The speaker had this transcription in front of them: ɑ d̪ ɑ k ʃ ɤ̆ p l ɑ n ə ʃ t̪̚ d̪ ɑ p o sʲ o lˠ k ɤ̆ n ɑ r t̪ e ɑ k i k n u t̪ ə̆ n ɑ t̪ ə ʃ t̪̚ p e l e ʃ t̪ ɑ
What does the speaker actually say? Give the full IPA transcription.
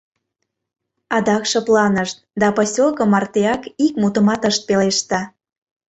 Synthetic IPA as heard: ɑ d̪ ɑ k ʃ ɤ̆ p l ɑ n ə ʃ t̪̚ d̪ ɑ p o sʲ o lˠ k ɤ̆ m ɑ r t̪ e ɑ k i k m u t̪ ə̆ m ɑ t̪ ə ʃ t̪̚ p e l e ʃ t̪ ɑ